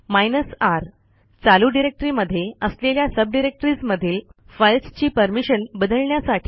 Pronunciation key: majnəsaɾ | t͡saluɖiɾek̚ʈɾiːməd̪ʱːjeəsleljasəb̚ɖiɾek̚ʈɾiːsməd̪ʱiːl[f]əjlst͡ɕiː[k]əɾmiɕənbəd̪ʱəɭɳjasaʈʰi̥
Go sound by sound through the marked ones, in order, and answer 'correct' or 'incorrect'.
correct, incorrect

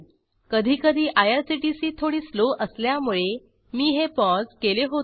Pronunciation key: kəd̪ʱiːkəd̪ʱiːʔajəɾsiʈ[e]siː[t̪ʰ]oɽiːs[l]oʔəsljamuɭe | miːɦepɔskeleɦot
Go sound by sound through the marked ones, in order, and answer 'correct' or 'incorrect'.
incorrect, correct, correct

